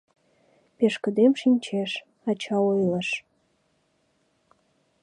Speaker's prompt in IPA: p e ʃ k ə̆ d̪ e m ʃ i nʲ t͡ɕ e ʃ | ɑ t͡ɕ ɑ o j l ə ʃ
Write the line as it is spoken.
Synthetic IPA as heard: p e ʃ k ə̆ d̪ e m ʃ i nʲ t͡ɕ e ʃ | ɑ t͡ɕ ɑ o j l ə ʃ